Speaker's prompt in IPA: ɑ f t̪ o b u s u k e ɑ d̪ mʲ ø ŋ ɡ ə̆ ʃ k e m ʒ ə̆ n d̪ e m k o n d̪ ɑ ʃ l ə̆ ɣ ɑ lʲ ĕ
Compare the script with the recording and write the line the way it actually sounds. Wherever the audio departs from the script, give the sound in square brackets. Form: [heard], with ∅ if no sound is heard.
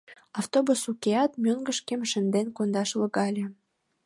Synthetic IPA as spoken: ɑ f t̪ o b u s u k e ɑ [t̪] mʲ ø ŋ ɡ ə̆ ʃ k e m [ʃ] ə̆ n d̪ e [n] k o n d̪ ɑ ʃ l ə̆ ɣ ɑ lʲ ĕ